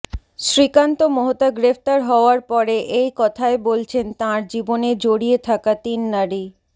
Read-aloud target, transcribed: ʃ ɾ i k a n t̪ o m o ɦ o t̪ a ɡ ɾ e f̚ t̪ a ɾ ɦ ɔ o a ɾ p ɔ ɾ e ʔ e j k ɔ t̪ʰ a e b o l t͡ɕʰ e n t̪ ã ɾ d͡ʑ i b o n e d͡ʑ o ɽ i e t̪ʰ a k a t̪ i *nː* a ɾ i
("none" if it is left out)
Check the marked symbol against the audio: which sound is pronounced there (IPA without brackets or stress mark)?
nː